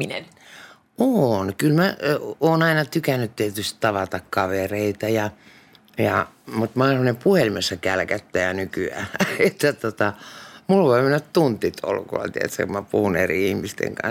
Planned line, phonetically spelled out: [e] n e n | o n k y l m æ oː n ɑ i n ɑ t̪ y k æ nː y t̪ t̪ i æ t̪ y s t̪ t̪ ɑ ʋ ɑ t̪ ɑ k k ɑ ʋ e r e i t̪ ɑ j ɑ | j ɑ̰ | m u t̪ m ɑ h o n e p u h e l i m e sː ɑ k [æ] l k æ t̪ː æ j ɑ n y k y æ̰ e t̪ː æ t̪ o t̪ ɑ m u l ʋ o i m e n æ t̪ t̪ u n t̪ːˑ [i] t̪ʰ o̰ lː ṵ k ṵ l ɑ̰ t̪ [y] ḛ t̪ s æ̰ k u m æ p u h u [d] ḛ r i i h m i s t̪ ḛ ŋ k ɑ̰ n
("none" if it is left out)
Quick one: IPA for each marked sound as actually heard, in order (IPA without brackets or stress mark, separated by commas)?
i, æ, i, i, n